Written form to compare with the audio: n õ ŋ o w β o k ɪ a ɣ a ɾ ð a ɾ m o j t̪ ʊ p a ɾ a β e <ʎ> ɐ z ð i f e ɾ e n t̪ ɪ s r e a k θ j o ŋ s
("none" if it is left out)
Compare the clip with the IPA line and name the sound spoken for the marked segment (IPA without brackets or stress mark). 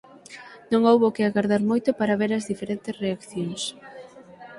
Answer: ɾ